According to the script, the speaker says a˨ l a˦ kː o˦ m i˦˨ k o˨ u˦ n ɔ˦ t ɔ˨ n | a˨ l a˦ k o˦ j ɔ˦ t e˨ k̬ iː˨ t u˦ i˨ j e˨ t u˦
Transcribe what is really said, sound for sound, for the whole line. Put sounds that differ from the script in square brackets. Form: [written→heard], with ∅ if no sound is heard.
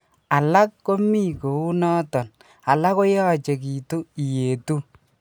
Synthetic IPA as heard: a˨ l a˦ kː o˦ m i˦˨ k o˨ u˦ n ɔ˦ t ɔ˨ n | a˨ l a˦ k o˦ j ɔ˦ [t→t͡ʃ] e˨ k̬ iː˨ t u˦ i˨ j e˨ t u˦